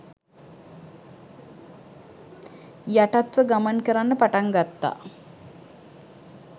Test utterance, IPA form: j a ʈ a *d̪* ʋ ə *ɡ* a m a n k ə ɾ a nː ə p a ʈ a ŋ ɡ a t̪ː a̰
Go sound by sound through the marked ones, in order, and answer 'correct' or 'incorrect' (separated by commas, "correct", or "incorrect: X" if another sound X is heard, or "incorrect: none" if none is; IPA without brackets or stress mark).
incorrect: t̪, correct